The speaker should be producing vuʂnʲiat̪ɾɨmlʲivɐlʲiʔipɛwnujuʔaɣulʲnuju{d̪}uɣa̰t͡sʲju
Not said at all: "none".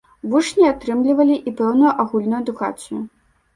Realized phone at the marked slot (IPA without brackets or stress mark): d̪